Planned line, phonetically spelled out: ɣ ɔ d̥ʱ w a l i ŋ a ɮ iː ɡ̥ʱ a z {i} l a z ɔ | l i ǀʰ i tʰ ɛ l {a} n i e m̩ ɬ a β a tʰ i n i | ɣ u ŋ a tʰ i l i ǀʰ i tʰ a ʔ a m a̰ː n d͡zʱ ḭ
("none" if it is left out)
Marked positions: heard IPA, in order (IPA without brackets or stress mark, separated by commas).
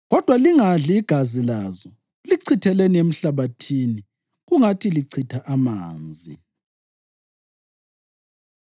i, e